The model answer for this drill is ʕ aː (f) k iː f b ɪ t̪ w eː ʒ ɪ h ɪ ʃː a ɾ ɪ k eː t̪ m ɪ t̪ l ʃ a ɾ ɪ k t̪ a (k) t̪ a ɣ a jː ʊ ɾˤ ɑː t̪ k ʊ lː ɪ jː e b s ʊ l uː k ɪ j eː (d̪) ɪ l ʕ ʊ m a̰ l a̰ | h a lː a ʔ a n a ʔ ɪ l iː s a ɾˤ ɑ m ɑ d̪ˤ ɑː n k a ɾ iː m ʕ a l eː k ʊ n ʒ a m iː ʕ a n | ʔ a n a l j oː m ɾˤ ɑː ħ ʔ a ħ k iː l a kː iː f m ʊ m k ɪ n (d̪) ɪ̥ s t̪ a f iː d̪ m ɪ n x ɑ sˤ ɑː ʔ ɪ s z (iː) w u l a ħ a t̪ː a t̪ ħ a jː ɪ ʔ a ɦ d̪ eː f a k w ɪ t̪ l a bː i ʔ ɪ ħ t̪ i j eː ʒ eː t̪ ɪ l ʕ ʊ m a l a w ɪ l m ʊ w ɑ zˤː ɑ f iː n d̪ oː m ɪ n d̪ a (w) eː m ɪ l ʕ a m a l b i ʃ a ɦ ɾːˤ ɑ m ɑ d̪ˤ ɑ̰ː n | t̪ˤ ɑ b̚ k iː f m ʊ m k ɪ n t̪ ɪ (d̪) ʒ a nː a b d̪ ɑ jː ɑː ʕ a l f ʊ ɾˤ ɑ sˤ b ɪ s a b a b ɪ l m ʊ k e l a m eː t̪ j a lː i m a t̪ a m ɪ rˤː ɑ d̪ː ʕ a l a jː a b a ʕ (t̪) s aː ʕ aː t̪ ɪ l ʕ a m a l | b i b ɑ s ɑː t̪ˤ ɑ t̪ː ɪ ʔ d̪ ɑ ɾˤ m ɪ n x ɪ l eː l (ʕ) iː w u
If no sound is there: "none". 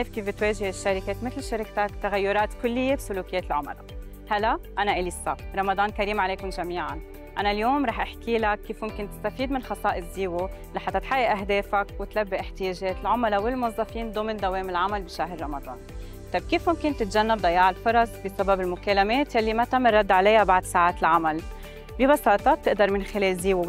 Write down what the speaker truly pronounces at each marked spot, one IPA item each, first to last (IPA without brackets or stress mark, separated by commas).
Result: f, k, t̪, t̪, iː, w, t̪, d̪, z